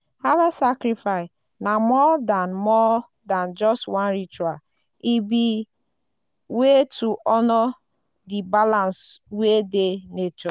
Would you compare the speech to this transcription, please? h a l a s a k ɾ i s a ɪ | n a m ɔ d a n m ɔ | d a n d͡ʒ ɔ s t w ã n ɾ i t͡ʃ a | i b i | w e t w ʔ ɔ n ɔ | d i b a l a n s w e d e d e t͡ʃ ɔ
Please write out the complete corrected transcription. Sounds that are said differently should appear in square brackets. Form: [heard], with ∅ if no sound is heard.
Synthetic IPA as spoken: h a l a s a k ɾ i [f] a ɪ | n a m ɔ d a n m ɔ | d a n d͡ʒ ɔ s t w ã n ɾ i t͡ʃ a | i b i | w e t [u] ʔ ɔ n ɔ | d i b a l a n s w e d e [n] e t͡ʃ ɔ